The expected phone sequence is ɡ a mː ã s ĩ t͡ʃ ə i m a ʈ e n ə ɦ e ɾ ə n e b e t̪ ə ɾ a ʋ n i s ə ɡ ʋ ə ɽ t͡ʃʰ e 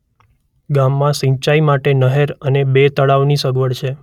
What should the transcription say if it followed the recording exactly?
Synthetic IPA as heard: ɡ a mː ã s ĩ t͡ʃ a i m a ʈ e n ə ɦ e ɾ ə n e b e t̪ ə ɭ a ʋ n i s ə ɡ ʋ ə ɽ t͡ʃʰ e